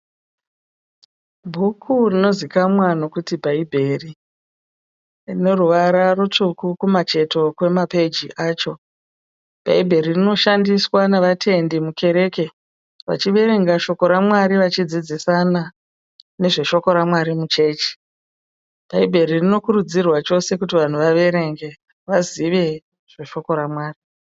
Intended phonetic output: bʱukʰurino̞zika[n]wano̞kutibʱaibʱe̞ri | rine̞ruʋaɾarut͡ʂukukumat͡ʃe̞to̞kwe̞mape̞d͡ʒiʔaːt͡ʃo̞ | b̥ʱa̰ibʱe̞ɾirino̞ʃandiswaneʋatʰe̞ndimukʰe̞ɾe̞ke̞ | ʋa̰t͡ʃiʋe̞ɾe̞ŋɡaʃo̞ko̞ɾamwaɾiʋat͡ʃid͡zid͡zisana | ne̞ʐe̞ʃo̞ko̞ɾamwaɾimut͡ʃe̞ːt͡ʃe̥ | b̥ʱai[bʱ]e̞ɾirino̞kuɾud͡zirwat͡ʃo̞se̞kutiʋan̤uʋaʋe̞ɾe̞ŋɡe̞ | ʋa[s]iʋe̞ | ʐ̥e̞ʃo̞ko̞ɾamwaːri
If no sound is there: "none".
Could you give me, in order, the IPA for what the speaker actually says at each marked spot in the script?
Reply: m, bʱ, z

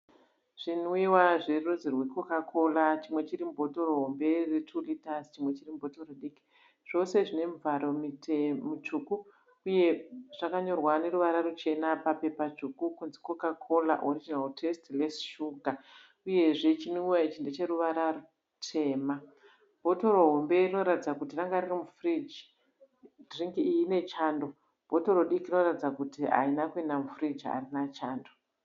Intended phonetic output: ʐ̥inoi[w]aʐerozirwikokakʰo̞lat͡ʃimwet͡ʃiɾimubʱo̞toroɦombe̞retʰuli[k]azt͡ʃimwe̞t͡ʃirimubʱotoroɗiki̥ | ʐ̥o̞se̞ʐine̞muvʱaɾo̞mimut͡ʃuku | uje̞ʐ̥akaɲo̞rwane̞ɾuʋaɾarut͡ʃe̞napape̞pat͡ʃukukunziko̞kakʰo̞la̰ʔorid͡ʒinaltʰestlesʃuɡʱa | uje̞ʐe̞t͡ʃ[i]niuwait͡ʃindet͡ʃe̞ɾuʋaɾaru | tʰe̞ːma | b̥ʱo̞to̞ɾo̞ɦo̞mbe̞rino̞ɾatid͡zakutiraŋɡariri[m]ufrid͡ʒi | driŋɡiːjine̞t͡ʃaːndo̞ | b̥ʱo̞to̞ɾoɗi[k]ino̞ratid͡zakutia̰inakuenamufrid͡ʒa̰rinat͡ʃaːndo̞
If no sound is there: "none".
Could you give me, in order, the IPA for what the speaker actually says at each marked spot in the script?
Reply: w, t, i, m, k

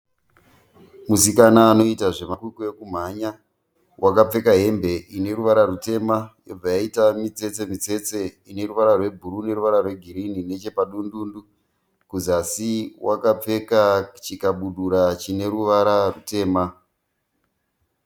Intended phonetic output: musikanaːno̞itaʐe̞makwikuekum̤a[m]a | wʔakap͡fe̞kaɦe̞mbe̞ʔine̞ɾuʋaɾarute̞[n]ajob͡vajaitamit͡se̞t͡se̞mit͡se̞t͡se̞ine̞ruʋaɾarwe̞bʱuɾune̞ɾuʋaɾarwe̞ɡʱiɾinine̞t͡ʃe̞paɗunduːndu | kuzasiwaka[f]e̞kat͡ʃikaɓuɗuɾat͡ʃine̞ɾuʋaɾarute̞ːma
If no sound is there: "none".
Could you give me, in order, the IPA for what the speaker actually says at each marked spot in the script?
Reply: ɲ, m, p͡f

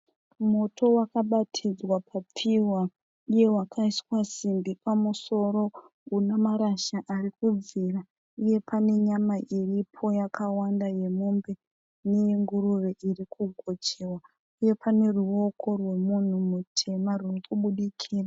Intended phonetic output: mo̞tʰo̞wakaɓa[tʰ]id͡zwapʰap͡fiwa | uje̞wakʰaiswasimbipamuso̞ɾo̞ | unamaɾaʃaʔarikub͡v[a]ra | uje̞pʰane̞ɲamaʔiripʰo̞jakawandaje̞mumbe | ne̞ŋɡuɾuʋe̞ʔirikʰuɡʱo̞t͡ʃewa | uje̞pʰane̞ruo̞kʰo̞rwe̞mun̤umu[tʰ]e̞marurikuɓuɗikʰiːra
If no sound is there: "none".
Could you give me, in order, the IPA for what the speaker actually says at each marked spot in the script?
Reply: tʰ, i, tʰ

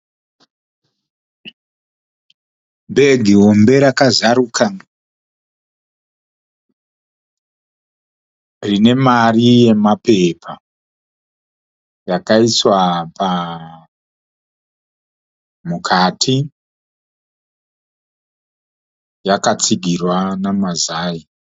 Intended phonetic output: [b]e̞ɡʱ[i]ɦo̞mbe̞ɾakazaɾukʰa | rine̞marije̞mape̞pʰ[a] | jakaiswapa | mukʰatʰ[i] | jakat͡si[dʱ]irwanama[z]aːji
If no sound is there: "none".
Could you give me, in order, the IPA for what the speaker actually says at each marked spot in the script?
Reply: b, i, a, i, ɡʱ, z

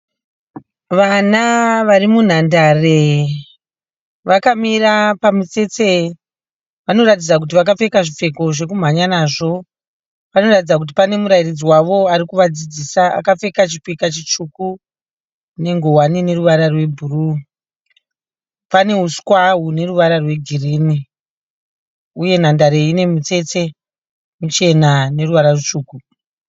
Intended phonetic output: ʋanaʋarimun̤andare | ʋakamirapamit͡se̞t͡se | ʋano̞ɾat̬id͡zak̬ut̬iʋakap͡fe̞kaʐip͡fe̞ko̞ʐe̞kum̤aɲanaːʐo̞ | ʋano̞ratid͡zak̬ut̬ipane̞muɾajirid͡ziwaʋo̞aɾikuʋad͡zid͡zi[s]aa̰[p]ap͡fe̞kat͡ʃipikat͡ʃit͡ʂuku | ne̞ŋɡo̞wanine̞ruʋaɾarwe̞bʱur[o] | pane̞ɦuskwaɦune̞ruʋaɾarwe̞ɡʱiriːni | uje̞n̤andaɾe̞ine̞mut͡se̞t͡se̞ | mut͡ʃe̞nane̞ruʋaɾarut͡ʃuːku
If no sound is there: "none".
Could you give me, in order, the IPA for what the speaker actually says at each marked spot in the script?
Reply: s, k, u

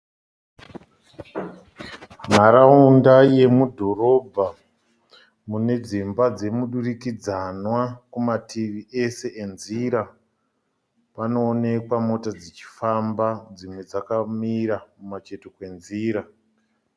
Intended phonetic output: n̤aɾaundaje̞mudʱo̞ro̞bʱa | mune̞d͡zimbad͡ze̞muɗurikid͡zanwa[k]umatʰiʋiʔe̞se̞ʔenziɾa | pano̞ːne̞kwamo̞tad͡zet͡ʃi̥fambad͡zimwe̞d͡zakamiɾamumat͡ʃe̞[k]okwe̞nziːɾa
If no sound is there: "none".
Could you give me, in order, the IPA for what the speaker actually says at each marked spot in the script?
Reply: k, t

